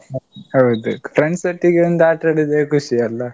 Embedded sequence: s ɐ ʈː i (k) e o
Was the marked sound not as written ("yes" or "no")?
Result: yes